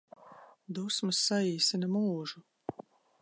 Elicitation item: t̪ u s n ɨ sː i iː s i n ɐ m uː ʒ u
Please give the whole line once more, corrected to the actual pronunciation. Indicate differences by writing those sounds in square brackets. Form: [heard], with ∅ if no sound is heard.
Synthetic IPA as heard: [d̪] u s [m] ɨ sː [a] iː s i n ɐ m uː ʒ u